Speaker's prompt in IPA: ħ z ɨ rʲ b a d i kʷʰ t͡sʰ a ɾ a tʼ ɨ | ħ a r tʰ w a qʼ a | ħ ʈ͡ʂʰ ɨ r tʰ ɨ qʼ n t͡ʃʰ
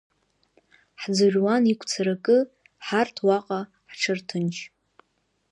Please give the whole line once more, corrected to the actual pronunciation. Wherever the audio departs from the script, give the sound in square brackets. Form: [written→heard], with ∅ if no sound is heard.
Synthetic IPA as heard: ħ [z→d͡z] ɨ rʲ [b→w] a [d→n] i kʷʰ t͡sʰ a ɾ a [tʼ→kʼ] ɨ | ħ a r tʰ w a qʼ a | ħ ʈ͡ʂʰ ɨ r tʰ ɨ [qʼ→∅] n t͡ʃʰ

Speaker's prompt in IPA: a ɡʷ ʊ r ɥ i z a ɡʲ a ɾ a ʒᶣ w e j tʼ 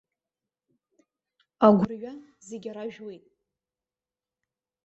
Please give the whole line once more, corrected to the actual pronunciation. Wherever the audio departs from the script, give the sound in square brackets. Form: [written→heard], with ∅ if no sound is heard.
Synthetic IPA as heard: a ɡʷ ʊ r ɥ [i→a] z [a→e] ɡʲ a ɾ a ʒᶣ w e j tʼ

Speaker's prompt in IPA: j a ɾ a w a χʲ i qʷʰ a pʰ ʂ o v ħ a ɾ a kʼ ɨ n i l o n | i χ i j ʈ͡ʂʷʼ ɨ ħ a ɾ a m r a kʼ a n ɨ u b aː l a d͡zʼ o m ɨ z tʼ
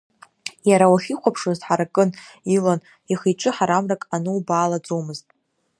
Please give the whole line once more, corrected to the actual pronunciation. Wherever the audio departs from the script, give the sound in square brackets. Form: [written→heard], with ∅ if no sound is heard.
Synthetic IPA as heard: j a ɾ a w a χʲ i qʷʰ a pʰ ʂ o [v→z] ħ a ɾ a kʼ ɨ n i l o n | i χ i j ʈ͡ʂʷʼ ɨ ħ a ɾ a m r a kʼ a n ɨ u b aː l a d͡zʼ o m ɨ z tʼ

